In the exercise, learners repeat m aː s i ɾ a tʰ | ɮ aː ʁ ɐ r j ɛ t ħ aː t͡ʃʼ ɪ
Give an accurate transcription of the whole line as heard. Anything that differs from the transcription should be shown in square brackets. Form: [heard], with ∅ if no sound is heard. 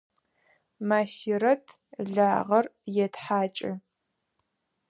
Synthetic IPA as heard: m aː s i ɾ [ɐ] tʰ | ɮ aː ʁ ɐ r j ɛ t ħ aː t͡ʃʼ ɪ